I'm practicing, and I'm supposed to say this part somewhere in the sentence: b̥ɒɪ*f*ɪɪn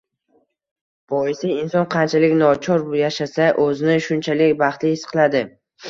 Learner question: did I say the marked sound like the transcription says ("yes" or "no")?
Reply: no